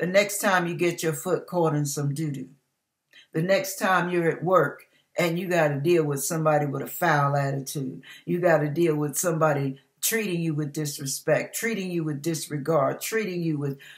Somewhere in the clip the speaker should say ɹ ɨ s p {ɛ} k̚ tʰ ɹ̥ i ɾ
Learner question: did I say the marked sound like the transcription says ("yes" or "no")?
yes